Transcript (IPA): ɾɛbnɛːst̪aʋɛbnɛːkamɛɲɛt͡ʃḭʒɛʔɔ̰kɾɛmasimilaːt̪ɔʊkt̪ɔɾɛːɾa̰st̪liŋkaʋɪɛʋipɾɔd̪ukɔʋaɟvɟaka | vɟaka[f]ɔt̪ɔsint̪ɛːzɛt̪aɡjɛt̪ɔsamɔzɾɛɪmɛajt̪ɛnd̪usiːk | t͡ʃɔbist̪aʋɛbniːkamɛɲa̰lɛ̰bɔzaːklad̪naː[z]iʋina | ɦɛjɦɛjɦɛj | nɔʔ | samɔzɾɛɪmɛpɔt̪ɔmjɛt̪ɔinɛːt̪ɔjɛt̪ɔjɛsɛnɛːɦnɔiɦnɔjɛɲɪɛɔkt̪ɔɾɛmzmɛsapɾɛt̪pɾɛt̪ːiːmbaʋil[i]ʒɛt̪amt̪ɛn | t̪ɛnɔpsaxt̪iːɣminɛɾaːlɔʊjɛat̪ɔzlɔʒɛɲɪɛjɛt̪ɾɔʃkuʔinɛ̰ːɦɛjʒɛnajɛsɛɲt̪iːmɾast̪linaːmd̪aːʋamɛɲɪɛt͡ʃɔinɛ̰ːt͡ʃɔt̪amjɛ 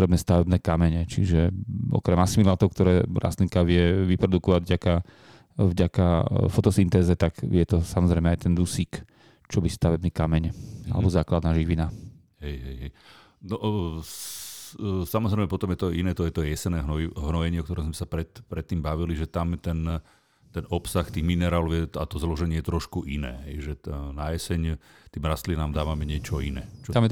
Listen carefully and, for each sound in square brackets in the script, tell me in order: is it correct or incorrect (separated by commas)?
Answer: correct, incorrect, correct